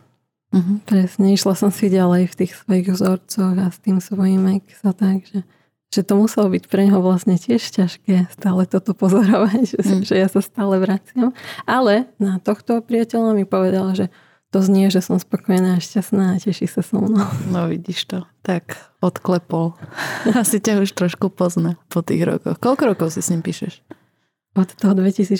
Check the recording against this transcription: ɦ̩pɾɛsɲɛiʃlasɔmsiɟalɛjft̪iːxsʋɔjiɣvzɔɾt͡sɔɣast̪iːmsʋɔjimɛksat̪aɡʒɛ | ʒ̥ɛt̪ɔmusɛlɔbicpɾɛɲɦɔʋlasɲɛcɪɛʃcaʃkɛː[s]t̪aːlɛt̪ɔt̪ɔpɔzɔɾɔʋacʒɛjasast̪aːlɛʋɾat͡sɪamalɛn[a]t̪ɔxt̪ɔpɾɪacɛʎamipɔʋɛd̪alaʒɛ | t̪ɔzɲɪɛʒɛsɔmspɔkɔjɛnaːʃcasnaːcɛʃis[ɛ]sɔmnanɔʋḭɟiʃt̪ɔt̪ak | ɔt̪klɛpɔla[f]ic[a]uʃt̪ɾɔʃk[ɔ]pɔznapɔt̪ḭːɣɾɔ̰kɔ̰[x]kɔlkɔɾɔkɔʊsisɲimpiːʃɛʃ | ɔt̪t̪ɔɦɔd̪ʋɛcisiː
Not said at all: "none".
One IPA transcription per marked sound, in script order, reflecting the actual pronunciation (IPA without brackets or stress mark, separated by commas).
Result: s, a, a, s, a, u, x